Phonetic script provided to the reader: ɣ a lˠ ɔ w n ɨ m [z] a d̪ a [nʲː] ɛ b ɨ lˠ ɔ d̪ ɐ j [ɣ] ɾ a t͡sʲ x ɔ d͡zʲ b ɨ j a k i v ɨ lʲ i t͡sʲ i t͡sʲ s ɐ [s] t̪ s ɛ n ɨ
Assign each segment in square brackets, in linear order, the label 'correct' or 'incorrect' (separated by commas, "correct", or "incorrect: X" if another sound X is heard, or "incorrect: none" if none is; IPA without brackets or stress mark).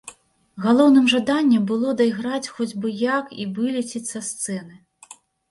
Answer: incorrect: ʐ, correct, correct, correct